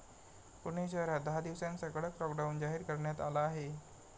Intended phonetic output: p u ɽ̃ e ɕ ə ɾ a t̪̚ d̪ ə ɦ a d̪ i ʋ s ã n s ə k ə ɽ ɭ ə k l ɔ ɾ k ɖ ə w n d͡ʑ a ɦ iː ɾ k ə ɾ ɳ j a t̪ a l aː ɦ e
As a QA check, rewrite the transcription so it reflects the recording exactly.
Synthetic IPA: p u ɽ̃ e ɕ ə ɾ a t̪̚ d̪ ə ɦ a d̪ i ʋ s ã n s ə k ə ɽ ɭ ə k l ɔ k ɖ a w n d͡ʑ a ɦ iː ɾ k ə ɾ ɳ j a t̪ a l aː ɦ e